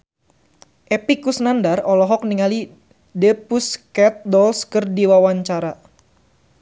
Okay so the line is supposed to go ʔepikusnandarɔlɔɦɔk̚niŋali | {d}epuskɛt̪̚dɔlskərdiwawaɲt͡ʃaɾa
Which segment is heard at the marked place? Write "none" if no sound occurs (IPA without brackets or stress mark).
d